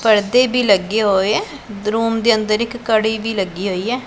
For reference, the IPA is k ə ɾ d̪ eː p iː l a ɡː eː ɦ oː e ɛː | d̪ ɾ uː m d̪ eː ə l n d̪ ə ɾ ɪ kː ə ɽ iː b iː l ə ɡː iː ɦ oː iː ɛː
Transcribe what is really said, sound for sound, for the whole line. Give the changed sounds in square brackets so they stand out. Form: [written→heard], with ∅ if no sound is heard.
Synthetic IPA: [k→p] ə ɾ d̪ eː [p→b] iː l [a→ə] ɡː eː ɦ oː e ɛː | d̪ ɾ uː m d̪ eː ə [l→∅] n d̪ ə ɾ ɪ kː ə ɽ iː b iː l ə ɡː iː ɦ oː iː ɛː